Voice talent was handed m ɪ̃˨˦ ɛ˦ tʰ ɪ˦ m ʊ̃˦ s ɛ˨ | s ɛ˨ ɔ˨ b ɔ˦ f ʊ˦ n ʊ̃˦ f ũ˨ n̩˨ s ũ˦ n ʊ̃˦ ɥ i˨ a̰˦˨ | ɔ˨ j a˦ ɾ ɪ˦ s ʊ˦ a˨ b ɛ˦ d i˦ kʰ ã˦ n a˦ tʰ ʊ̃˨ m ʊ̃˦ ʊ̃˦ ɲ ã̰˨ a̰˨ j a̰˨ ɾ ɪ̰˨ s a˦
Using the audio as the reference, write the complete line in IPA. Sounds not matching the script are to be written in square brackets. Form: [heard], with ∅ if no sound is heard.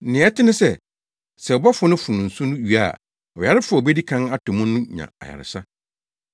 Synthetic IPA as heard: [n] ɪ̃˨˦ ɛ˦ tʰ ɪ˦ [n] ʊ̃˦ s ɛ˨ | s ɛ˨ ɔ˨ b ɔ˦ f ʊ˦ n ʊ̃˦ f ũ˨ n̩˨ s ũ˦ n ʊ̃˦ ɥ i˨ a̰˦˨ | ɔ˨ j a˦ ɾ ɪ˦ [f] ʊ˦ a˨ b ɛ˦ d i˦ kʰ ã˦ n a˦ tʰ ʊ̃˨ m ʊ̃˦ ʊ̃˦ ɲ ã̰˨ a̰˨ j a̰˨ ɾ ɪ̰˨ s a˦

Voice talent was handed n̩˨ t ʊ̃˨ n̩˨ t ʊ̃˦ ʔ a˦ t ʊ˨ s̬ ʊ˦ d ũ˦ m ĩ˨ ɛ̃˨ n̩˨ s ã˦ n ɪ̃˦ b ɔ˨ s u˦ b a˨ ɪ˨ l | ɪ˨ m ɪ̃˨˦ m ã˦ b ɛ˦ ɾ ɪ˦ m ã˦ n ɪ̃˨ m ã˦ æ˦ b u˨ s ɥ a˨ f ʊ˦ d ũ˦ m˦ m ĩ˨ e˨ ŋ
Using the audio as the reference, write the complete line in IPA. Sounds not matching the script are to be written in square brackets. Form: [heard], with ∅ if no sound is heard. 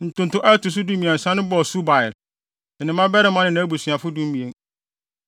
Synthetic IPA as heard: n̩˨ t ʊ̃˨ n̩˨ t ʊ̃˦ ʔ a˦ t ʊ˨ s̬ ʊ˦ d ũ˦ m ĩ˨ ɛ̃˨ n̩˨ s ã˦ n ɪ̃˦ b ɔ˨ s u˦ b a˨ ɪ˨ l | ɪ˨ [n] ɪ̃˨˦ m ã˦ b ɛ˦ ɾ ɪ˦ m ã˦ n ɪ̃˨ [n] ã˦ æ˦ b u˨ s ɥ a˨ f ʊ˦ d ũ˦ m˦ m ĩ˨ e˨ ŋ

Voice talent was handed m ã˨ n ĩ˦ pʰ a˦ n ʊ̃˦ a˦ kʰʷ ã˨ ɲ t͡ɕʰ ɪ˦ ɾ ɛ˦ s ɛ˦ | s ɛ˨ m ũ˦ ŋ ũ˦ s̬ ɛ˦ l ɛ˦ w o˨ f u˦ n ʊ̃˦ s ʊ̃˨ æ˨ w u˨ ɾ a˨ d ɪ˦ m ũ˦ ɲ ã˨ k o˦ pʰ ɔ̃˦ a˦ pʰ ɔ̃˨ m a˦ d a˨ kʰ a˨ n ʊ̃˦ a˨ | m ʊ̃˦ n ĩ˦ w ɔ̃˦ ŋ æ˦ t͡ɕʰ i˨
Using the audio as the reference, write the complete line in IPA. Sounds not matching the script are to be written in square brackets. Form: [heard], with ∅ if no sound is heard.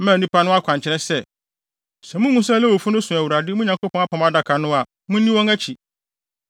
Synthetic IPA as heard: m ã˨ n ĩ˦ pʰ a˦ n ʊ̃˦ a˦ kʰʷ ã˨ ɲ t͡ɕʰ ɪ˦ ɾ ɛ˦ s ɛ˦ | s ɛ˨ m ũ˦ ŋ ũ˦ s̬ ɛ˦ l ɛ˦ w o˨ f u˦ n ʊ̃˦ s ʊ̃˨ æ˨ w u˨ ɾ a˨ d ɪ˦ m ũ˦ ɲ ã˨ k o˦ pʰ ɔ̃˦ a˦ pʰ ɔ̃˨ m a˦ d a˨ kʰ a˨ n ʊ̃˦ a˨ | m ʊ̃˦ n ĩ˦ w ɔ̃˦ ŋ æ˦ t͡ɕʰ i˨

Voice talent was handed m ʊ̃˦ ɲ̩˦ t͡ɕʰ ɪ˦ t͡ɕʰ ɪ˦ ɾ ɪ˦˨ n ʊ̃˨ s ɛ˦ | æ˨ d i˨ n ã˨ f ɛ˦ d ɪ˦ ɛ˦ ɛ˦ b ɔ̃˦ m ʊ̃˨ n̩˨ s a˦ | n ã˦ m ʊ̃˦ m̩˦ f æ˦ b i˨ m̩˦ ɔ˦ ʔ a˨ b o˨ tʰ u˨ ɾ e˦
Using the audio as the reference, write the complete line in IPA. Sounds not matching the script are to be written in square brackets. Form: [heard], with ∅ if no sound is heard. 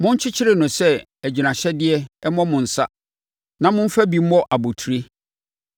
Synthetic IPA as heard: m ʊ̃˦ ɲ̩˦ t͡ɕʰ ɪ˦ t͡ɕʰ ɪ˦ ɾ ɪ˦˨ n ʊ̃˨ s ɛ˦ | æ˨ [d͡ʑ] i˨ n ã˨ [ɕ] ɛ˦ d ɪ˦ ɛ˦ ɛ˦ [m] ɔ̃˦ m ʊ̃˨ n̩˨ s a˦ | n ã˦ m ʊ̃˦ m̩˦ f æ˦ b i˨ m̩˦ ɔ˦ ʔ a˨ b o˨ tʰ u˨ ɾ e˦

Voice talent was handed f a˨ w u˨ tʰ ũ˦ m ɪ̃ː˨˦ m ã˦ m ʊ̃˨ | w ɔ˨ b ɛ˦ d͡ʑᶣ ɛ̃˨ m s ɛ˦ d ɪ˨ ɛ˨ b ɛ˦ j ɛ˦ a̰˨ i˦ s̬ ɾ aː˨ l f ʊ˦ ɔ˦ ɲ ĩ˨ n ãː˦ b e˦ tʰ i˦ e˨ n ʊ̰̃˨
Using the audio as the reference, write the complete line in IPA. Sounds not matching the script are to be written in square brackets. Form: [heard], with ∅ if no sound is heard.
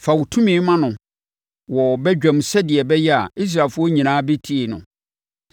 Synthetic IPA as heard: f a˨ w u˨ tʰ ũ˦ m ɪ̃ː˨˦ m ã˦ [n] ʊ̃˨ | w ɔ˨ b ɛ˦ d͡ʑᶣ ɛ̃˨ m s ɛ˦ d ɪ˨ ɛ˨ b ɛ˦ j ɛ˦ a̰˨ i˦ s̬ ɾ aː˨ l f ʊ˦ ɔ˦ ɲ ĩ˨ n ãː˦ b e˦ tʰ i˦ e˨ n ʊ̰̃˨

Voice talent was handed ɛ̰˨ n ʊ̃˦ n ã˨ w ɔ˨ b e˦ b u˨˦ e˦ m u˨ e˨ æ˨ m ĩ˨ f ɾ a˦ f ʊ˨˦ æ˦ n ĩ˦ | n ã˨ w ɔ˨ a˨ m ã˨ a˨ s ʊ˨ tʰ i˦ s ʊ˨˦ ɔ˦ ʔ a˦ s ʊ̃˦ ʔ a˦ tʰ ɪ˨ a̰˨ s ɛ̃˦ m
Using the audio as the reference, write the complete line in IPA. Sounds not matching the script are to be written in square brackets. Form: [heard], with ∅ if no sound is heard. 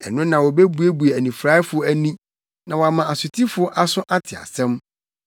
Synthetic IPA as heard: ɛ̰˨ n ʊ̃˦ n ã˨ w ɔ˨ b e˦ b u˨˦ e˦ [b] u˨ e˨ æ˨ [n] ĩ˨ f ɾ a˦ f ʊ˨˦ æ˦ n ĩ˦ | n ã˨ w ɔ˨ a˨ m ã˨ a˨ s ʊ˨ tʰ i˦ [f] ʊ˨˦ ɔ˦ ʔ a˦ s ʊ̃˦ ʔ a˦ tʰ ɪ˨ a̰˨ s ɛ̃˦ m

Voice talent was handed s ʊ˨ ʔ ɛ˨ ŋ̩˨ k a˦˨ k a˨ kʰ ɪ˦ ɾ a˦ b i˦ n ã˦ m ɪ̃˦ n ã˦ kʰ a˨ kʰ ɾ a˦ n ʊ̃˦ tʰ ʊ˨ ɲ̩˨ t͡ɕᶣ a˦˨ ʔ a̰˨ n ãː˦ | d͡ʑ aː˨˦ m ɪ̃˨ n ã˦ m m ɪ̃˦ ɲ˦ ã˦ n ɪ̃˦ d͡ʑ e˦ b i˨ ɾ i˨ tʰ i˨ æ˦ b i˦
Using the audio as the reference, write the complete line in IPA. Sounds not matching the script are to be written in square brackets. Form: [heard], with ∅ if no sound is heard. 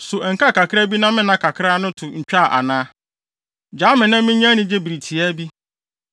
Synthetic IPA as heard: s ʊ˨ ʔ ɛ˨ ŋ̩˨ k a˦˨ k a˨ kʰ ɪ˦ ɾ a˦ b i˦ n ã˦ m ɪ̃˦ n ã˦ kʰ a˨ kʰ ɾ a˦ n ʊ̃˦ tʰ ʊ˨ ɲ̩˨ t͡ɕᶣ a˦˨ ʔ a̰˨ n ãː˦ | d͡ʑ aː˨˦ m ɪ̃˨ n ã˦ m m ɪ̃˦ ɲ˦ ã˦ n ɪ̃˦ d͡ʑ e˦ b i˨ ɾ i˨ tʰ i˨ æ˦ b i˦

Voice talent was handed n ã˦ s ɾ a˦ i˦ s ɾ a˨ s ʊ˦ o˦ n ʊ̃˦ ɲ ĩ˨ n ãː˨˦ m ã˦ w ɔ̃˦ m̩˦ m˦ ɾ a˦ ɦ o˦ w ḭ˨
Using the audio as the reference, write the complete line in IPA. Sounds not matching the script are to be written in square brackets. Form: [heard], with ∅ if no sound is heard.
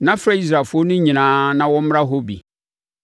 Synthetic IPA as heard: n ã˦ [f] ɾ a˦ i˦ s ɾ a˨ [f] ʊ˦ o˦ n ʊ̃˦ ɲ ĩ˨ n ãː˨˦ [n] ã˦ w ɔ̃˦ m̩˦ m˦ ɾ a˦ ɦ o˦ [b] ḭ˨

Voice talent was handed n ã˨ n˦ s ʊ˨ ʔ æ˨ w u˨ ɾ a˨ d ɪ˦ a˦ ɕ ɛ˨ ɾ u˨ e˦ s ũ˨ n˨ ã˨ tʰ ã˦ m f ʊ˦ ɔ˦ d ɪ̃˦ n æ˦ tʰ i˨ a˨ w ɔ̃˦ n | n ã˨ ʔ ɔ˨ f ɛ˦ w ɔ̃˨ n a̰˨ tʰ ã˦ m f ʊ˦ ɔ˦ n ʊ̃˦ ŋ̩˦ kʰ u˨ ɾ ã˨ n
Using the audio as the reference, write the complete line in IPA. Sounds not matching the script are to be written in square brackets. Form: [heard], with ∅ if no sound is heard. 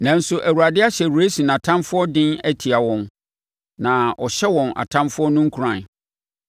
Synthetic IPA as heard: n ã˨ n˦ s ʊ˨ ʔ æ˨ w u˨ ɾ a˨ d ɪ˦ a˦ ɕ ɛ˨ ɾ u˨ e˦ s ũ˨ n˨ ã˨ tʰ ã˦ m f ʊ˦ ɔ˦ d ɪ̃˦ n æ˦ tʰ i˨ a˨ w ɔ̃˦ n | n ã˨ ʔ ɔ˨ [ɕ] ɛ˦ w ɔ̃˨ n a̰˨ tʰ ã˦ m f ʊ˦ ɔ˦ n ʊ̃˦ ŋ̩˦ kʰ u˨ ɾ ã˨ n

